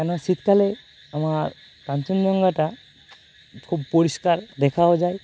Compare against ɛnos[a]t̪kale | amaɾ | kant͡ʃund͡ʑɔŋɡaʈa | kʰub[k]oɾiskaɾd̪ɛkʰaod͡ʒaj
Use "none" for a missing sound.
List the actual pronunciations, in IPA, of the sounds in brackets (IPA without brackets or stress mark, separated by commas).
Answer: i, p